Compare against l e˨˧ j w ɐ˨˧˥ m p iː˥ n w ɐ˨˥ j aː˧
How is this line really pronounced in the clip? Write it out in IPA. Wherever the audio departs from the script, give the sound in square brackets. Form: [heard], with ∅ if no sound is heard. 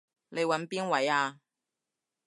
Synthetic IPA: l e˨˧ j w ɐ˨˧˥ [n] p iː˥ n w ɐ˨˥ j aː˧